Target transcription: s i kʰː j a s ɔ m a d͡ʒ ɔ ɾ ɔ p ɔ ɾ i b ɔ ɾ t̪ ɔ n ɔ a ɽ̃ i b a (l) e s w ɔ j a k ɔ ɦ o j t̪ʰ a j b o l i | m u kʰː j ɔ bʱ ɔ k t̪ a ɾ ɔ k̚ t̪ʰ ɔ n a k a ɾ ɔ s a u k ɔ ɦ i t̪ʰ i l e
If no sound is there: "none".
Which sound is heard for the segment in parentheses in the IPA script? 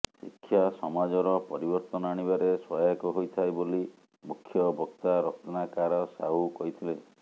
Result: ɾ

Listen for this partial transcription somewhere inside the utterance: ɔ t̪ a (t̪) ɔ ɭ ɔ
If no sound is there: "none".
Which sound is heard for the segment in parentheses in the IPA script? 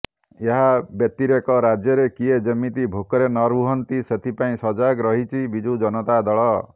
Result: d̪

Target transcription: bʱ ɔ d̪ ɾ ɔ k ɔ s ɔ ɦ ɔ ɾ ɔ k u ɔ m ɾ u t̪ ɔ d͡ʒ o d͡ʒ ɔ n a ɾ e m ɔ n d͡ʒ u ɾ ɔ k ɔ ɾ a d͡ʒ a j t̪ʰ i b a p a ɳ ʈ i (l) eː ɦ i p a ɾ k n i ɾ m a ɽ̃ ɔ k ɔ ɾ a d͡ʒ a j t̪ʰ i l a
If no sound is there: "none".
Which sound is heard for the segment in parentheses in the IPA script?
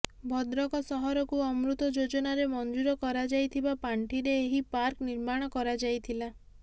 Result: ɾ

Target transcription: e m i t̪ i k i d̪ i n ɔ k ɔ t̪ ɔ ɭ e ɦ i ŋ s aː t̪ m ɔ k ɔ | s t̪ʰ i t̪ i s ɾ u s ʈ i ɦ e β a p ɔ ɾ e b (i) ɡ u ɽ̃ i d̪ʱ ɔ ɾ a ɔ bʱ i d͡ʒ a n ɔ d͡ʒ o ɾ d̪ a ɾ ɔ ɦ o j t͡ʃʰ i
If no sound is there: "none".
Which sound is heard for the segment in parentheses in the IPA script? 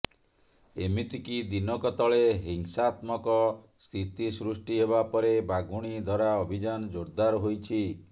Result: a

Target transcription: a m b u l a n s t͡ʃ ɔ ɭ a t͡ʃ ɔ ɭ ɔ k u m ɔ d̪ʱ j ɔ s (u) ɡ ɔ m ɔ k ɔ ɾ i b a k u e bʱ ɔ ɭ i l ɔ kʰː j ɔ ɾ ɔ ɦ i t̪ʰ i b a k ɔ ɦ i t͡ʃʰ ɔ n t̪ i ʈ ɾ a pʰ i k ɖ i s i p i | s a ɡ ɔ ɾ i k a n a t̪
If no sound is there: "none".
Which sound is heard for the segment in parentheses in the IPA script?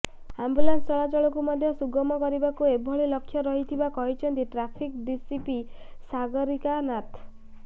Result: u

